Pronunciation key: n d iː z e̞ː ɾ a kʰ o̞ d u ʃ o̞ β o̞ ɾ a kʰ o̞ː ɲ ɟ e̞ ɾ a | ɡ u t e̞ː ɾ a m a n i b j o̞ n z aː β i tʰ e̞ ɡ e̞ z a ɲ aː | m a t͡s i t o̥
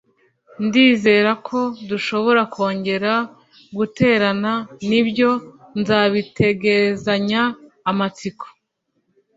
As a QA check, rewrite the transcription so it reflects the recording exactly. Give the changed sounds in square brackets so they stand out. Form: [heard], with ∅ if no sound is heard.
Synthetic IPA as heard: n d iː z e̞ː ɾ a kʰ o̞ d u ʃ o̞ β o̞ ɾ a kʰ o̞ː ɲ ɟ e̞ ɾ a | ɡ u t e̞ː ɾ a [n] a n i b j o̞ n z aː β i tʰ e̞ ɡ e̞ z a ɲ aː | m a t͡s i [k] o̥